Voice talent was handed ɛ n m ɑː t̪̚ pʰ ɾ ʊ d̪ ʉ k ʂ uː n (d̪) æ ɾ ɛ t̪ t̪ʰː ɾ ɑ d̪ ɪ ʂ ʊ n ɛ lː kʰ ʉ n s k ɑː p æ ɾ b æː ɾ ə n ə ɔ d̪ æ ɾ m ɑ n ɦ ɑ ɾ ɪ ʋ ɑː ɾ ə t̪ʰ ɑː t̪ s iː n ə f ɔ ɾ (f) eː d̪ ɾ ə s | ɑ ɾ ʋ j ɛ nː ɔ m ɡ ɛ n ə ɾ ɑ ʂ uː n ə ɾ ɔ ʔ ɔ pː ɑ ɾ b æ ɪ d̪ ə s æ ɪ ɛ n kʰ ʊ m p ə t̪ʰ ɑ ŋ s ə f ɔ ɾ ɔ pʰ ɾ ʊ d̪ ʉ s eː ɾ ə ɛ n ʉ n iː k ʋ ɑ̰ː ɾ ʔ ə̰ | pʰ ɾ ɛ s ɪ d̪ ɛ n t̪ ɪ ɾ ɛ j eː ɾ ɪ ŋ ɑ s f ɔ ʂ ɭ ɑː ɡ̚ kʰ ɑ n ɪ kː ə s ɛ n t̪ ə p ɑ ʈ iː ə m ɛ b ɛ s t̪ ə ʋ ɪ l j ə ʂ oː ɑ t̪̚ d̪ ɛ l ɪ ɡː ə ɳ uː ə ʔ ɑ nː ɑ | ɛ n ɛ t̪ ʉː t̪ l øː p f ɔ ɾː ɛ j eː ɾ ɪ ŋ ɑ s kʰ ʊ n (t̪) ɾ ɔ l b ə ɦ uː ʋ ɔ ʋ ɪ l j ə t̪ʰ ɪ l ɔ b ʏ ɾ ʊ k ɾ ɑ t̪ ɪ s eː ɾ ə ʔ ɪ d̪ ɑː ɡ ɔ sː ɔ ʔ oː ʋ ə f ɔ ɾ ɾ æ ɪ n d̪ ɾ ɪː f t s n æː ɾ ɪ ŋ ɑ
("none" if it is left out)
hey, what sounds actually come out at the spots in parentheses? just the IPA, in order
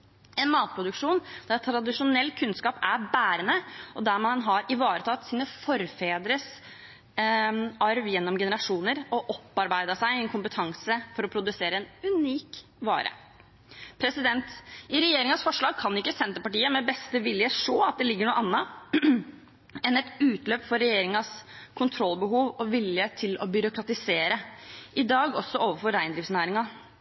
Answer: d̪, f, t̪ʰ

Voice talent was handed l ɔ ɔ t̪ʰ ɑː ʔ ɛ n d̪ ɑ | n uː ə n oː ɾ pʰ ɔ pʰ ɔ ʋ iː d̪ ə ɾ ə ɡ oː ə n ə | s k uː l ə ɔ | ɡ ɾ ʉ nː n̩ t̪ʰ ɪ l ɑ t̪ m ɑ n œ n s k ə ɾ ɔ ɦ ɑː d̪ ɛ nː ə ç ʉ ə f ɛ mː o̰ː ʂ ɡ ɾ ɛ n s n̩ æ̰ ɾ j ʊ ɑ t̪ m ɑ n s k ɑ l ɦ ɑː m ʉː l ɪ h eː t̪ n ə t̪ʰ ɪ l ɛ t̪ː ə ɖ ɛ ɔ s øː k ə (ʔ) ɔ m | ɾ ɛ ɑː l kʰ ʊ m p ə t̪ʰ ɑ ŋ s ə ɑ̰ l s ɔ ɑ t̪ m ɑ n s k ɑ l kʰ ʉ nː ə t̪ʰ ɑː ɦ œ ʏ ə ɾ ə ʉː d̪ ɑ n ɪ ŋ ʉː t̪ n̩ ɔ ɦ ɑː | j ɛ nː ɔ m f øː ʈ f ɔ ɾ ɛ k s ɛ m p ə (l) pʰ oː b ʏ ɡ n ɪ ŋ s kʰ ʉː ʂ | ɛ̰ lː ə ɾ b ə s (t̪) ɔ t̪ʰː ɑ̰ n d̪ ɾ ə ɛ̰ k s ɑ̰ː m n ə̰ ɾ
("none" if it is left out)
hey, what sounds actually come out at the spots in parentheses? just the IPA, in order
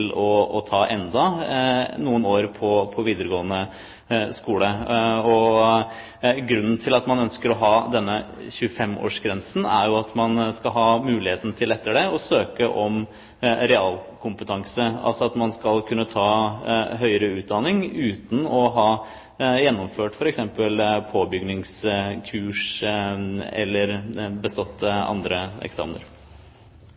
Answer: ʔ, l, t̪

